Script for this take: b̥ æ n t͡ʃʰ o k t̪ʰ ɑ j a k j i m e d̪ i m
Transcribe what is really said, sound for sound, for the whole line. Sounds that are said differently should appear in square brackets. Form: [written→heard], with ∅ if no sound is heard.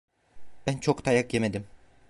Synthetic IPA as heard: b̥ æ n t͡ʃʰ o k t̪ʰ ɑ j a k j [i→e] m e d̪ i m